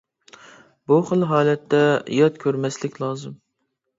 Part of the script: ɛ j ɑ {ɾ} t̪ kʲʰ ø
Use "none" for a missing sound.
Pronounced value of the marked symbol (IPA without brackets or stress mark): none